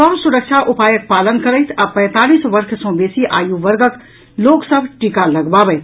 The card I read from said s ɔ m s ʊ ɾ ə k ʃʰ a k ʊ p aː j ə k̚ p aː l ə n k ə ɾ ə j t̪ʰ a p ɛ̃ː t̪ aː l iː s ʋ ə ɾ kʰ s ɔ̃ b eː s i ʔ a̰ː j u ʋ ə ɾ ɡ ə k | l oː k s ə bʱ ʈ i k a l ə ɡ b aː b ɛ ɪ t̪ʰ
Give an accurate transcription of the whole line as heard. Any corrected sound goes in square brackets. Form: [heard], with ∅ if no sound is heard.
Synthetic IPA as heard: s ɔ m s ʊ ɾ ə k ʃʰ a [ʔ] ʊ p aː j ə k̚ p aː l ə n k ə ɾ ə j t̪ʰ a p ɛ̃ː t̪ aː l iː s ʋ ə ɾ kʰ s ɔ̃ b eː s i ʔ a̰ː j u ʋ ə ɾ ɡ ə k | l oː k s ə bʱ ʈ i k a l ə ɡ b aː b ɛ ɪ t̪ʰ